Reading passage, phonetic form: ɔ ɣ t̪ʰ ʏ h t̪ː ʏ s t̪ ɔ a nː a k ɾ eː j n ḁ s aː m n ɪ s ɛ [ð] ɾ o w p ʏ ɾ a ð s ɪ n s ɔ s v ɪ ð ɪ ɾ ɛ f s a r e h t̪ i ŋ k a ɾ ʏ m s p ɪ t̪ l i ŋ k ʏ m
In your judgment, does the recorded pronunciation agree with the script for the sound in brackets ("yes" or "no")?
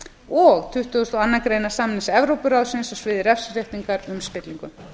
no